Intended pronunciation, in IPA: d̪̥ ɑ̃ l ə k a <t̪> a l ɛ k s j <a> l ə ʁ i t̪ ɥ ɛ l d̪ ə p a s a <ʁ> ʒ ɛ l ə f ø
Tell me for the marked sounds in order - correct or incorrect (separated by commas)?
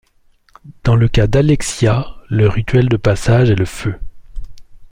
incorrect, correct, incorrect